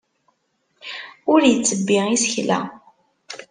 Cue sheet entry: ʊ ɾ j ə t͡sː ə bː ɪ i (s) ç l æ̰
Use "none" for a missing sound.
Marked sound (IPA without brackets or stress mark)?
s